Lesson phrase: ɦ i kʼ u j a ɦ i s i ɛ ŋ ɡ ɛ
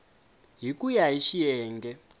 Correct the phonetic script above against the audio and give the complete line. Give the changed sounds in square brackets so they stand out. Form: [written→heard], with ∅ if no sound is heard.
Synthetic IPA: ɦ i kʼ u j a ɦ i [s→ʃ] i [ɛ→ɛː] ŋ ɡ ɛ